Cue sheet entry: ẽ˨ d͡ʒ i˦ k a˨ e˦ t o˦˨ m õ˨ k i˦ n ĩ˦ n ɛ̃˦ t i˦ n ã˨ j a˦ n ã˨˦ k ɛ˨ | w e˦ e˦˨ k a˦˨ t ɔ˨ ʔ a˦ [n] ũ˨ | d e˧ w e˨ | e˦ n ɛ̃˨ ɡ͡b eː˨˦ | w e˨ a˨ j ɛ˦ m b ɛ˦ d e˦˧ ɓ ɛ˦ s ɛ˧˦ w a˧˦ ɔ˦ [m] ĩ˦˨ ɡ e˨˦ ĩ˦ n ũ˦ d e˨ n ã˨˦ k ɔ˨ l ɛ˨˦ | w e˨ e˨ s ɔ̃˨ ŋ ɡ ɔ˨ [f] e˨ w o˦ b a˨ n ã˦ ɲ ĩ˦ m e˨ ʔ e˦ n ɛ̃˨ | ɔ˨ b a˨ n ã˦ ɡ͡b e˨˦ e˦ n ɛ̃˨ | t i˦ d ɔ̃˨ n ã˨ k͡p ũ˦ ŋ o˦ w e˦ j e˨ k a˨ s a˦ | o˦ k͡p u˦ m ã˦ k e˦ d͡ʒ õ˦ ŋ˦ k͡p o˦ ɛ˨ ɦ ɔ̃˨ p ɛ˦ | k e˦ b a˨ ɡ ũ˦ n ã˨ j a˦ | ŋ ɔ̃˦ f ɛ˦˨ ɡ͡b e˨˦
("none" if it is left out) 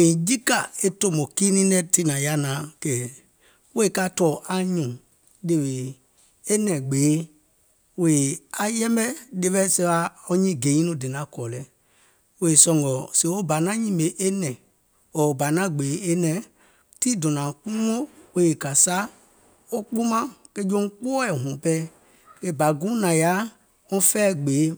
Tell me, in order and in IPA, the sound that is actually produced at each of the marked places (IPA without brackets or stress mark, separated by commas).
ɲ, ɲ, s